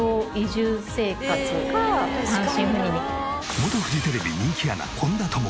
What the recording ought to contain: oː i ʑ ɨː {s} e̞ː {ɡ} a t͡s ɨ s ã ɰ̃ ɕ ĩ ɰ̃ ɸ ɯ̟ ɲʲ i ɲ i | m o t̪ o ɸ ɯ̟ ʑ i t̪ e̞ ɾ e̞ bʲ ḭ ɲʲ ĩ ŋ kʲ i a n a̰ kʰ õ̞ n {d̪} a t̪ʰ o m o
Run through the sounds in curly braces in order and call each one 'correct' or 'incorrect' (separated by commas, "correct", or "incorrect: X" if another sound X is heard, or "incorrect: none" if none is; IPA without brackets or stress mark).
correct, incorrect: k, correct